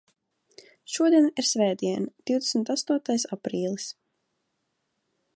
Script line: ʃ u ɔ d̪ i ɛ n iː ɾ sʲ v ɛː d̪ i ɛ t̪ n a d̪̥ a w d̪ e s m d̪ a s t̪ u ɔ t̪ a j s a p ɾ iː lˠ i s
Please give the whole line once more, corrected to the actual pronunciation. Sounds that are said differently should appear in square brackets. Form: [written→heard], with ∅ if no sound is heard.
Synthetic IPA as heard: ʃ u ɔ d̪ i ɛ n [iː→i] ɾ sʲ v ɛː d̪ i ɛ [t̪→∅] n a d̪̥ [a→i] w d̪ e s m [d̪→t̪] a s t̪ u ɔ t̪ a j s a p ɾ iː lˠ i s